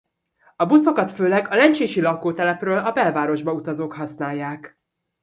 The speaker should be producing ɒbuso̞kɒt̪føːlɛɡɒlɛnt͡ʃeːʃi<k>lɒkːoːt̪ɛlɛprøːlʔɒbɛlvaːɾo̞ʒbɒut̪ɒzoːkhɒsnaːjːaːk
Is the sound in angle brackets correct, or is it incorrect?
incorrect